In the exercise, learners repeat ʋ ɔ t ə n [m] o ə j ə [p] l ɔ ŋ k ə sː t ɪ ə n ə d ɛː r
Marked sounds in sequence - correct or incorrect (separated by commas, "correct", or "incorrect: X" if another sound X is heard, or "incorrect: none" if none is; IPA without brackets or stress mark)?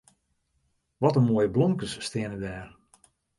correct, incorrect: b